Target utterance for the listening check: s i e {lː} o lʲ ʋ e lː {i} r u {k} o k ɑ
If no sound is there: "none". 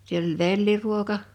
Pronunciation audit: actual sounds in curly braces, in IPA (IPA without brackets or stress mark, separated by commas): l, i, none